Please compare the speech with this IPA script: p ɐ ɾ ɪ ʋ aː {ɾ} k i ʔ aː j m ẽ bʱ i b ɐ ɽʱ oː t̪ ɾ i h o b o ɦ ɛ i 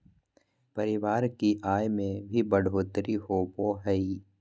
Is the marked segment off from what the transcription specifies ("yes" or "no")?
no